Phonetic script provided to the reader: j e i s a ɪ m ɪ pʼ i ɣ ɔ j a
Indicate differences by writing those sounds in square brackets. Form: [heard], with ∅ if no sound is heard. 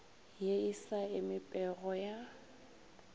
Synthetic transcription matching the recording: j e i s a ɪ m ɪ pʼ [ɛ] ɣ ɔ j a

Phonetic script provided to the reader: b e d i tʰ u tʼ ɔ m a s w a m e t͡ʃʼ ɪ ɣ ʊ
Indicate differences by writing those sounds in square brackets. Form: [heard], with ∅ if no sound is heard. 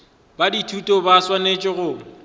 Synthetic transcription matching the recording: b [a] d i tʰ u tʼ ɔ [b] a s w a [n] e t͡ʃʼ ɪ ɣ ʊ

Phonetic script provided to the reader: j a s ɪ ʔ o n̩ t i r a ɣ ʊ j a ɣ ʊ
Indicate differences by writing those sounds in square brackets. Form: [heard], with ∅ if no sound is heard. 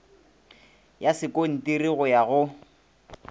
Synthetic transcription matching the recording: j a s ɪ [k] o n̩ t i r [i] ɣ ʊ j a ɣ ʊ

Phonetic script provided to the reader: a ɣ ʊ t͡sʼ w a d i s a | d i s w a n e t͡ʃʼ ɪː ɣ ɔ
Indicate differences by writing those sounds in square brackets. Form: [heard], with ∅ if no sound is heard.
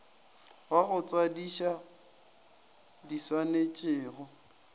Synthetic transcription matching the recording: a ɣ ʊ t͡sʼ w a d i [ʃ] a | d i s w a n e t͡ʃʼ ɪː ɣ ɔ

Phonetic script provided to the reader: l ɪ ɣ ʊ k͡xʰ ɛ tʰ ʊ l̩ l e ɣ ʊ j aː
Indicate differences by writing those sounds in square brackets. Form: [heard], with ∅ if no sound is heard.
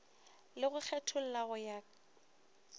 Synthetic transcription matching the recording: l ɪ ɣ ʊ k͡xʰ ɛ tʰ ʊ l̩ l [a] ɣ ʊ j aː

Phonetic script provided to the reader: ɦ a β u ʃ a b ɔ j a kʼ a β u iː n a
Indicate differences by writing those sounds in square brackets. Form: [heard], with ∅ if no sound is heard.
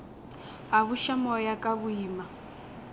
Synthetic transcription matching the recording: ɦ a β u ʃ a [m] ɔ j a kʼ a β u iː [m] a

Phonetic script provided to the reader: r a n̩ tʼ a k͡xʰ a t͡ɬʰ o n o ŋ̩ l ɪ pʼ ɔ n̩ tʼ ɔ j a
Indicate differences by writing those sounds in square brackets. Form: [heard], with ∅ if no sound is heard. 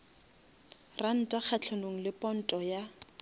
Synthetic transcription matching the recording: r a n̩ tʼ a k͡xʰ a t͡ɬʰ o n o ŋ̩ l ɪ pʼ ɔ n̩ tʼ ɔ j a

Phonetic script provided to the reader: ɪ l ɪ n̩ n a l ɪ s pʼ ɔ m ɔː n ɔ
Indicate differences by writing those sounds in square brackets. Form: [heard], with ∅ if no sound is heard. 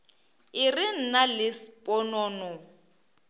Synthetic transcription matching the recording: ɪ [r] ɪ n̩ n a l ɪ s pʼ ɔ [n] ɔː n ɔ

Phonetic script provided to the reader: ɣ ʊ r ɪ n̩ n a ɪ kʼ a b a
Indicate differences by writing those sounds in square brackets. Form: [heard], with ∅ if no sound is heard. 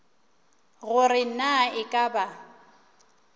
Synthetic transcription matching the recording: ɣ ʊ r ɪ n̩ n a ɪ kʼ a b a

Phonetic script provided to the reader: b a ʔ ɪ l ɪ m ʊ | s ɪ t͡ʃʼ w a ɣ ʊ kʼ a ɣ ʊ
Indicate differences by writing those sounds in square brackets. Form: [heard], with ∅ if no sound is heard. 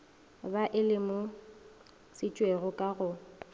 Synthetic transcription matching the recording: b a ʔ ɪ l ɪ m ʊ | s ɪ t͡ʃʼ w [e] ɣ ʊ kʼ a ɣ ʊ

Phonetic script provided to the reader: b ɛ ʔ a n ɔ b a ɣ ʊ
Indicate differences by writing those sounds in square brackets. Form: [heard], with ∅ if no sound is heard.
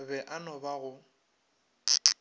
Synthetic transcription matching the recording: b ɛ ʔ a n ɔ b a ɣ ʊ

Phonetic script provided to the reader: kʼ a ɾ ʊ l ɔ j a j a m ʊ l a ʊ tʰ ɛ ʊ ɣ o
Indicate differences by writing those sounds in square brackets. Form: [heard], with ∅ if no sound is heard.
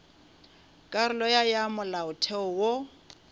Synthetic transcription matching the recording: kʼ a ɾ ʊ l ɔ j a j a m ʊ l a ʊ tʰ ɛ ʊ [w] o

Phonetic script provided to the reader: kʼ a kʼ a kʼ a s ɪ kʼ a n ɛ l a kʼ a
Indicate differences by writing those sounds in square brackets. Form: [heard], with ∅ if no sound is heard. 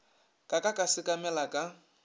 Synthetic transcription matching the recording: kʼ a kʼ a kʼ a s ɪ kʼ a [m] ɛ l a kʼ a

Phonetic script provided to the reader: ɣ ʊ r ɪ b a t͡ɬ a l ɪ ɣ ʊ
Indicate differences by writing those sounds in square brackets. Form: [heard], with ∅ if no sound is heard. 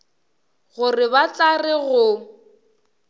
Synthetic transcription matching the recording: ɣ ʊ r ɪ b a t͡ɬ a [r] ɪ ɣ ʊ

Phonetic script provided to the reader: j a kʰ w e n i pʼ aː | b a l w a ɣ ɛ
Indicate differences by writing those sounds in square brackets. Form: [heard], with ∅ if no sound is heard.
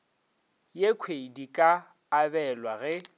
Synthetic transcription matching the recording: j [e] kʰ w e [d] i [kʼ] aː | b [ɛ] l w a ɣ ɛ

